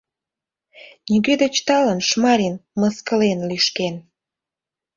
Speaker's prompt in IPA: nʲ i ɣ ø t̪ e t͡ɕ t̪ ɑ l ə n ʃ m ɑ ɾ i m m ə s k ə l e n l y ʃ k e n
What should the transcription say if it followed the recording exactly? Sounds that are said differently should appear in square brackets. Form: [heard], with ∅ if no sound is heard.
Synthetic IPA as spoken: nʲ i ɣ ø [d̪] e t͡ɕ t̪ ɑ l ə n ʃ m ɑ ɾ i [n] m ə s k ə l e n l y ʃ k e n